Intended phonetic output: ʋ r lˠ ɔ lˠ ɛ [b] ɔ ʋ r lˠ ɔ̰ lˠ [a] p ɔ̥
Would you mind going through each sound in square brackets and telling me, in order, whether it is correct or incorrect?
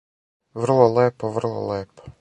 incorrect: p, incorrect: ɛ

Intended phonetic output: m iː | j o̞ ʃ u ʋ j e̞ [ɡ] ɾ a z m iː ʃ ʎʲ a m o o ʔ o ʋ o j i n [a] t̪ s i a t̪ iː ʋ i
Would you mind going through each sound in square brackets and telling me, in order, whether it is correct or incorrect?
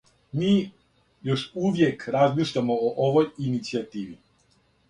incorrect: k, incorrect: i

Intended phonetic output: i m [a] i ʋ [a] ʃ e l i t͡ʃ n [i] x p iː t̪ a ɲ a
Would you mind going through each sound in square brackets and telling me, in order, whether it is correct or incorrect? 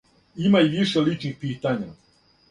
correct, incorrect: i, correct

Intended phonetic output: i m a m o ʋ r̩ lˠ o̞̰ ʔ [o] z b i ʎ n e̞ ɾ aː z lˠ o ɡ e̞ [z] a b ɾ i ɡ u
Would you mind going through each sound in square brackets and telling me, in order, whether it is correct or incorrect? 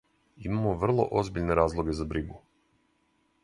correct, correct

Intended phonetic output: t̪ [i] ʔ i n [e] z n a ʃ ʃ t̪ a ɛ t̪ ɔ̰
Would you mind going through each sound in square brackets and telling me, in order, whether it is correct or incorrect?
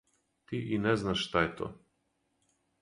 correct, incorrect: ɛ

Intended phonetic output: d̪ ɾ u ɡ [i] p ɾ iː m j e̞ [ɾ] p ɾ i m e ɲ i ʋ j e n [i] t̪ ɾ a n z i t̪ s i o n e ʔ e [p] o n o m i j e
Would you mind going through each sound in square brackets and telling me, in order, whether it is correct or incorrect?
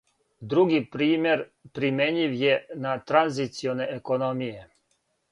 correct, correct, incorrect: a, incorrect: k

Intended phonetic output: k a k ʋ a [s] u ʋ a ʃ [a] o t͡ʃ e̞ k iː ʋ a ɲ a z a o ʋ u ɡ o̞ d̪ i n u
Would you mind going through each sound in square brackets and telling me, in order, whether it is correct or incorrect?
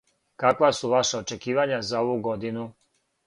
correct, correct

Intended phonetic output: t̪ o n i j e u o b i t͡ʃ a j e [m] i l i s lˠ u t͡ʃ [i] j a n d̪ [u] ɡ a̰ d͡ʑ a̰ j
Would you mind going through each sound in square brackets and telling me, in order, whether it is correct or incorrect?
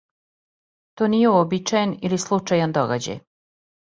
incorrect: n, incorrect: a, incorrect: o

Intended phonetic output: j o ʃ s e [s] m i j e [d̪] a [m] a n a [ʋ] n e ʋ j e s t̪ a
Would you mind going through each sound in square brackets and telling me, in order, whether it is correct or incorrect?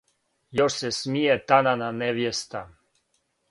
correct, incorrect: t̪, incorrect: n, incorrect: none

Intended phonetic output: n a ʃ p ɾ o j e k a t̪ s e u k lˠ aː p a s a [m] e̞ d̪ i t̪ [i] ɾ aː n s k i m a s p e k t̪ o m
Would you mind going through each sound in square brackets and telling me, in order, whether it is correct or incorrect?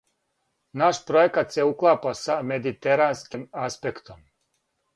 correct, incorrect: e

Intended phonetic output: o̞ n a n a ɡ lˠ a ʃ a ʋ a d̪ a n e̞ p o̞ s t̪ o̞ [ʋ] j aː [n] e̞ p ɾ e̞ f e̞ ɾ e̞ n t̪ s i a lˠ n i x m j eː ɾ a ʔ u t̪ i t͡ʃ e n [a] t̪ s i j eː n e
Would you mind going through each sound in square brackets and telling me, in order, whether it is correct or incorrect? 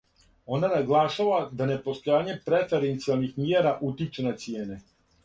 incorrect: none, incorrect: ɲ, correct

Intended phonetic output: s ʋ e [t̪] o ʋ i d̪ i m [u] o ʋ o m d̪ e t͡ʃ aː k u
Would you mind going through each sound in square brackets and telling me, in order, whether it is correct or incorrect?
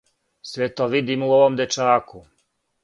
correct, correct

